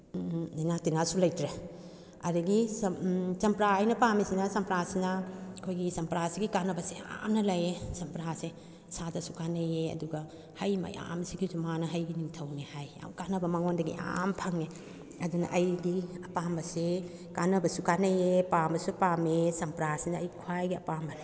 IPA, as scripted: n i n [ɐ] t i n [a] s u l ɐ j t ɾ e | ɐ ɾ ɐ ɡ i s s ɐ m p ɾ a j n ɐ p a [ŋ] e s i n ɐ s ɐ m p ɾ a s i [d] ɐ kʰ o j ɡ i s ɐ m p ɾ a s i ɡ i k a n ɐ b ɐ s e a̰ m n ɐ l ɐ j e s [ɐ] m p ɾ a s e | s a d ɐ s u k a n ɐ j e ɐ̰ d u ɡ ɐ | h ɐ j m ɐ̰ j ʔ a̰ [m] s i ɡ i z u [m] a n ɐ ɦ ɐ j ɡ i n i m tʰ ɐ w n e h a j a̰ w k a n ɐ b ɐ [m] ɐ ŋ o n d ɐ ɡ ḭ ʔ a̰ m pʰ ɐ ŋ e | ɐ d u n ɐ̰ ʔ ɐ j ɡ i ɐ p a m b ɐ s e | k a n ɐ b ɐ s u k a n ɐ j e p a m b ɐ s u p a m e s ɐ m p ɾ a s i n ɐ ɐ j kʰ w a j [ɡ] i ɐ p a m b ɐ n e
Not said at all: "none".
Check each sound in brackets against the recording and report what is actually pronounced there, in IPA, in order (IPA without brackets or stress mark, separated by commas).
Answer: a, a, m, n, ɐ, m, m, m, ɡ